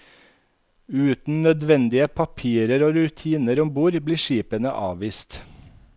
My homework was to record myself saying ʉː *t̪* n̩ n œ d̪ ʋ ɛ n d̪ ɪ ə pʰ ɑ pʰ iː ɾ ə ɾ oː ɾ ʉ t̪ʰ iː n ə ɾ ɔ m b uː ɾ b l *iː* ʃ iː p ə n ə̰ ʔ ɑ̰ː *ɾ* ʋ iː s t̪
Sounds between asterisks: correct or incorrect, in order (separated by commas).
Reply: correct, correct, incorrect